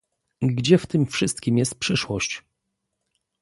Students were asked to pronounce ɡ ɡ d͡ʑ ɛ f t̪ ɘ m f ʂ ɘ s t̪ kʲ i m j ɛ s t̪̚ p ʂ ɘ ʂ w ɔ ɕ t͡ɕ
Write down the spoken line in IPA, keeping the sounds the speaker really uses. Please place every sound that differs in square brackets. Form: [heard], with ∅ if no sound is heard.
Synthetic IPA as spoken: ɡ ɡ d͡ʑ ɛ f t̪ ɘ m f ʂ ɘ s t̪ kʲ i m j ɛ s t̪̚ p ʂ ɘ ʂ w ɔ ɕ t͡ɕ